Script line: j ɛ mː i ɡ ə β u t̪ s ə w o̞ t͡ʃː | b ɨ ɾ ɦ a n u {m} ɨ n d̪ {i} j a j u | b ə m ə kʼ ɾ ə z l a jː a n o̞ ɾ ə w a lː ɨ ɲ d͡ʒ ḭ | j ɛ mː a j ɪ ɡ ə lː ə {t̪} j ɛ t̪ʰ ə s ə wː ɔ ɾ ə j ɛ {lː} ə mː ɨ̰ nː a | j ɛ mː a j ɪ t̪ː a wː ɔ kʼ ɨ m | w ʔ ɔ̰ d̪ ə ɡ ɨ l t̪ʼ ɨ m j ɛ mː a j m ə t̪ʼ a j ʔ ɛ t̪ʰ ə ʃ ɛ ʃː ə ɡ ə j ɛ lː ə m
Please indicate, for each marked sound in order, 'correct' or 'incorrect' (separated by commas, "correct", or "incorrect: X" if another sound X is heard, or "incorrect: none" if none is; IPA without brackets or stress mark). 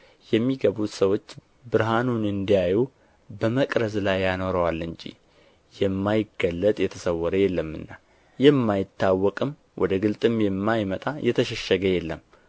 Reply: incorrect: n, correct, incorrect: t̪ʼ, correct